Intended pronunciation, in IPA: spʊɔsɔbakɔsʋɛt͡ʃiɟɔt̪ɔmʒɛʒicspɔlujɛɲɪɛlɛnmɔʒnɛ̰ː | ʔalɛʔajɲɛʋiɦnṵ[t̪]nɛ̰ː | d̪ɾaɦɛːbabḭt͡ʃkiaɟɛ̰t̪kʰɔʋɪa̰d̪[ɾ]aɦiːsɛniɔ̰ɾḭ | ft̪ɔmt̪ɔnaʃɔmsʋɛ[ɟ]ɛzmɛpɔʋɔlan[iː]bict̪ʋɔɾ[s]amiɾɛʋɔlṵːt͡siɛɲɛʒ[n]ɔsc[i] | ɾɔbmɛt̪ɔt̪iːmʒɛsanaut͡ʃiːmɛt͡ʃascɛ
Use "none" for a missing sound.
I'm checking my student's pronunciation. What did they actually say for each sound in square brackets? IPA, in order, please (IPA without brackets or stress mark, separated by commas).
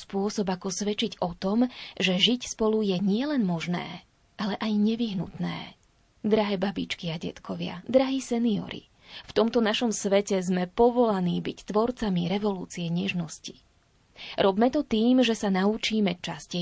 t̪, ɾ, c, iː, t͡s, n, i